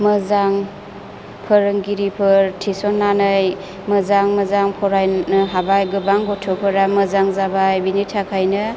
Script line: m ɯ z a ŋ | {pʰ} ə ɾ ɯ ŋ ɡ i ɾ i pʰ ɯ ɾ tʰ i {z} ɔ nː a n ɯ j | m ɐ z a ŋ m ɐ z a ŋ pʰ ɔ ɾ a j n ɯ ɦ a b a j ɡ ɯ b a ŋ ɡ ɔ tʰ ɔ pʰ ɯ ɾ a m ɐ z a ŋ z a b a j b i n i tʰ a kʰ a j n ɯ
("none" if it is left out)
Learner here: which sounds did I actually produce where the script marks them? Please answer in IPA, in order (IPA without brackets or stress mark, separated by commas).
pʰ, s